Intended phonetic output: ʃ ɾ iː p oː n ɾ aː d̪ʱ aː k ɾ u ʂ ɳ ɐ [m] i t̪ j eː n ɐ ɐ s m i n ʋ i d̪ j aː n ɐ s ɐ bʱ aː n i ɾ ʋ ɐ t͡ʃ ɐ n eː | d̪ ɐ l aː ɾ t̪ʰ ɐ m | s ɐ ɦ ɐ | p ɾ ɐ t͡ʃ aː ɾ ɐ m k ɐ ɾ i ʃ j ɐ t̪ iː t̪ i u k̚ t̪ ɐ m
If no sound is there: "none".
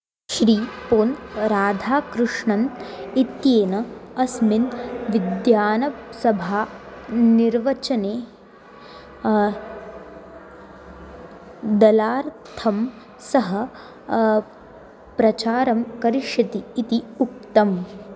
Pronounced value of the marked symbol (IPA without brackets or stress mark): n